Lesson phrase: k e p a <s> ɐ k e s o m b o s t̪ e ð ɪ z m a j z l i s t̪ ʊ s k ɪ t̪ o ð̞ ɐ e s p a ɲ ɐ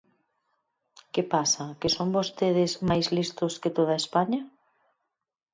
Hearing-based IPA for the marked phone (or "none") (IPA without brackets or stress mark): s